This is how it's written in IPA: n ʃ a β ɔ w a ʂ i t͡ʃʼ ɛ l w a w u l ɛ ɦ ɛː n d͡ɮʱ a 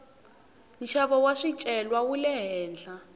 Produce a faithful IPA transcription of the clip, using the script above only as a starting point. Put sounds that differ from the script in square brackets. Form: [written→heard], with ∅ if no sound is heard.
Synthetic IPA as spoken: n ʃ a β ɔ w a ʂ i t͡ʃʼ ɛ l w a w u l ɛ ɦ ɛː n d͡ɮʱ a

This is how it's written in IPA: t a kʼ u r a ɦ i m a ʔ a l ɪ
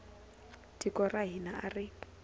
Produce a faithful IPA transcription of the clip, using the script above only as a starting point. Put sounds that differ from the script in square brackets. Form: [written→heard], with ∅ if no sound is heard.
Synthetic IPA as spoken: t [a→i] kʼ [u→ɔ] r a ɦ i [m→n] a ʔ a [l→r] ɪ

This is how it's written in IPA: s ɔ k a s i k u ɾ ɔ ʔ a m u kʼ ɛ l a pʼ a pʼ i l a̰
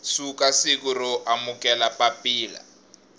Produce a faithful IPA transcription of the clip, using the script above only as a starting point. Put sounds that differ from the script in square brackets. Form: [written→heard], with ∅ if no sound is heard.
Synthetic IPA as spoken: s [ɔ→u] k a s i k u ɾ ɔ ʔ a m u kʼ ɛ l a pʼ a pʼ [i→iː] l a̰

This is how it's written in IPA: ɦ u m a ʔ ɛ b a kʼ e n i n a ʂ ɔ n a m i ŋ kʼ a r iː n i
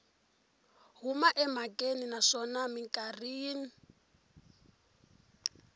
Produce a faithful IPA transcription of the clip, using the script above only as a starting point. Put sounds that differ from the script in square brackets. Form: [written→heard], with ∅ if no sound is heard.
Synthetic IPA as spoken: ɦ u m a ʔ ɛ [b→m] a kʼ e n i n a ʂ ɔ n a m i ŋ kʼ a r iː n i

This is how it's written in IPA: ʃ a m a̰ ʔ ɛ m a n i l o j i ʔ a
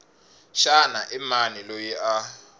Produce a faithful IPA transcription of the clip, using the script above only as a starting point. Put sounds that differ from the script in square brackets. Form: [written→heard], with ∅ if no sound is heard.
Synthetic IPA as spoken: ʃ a [m→n] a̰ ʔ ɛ m a n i l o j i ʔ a

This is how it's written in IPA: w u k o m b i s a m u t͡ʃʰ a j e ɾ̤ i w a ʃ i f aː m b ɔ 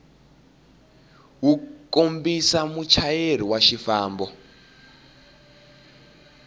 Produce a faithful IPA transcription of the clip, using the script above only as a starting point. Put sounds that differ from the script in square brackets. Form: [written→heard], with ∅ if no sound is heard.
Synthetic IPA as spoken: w u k o m b i s a m u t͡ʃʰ a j e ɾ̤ i w a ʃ i f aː m b ɔ

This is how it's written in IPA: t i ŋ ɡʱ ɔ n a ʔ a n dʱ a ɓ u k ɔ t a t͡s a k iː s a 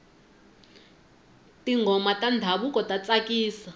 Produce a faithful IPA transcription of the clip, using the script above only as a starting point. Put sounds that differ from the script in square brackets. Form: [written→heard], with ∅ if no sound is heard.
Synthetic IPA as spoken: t i ŋ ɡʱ ɔ [n→m] a [ʔ→t] a n dʱ a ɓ u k ɔ t a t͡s a k iː s a

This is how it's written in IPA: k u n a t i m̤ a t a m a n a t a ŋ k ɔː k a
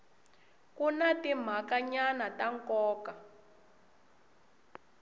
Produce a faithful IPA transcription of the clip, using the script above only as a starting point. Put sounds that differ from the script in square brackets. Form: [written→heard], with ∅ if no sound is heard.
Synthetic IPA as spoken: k u n a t i m̤ a [t→k] a [m→ɲ] a n a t a ŋ k ɔː k a

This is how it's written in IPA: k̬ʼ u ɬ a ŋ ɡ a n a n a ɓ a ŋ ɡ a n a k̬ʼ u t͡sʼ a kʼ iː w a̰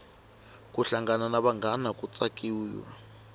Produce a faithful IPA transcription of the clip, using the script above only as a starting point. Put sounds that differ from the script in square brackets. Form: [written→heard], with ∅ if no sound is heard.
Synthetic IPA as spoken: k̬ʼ u ɬ a ŋ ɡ a n a n a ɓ a ŋ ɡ a n a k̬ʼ u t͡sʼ a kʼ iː w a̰

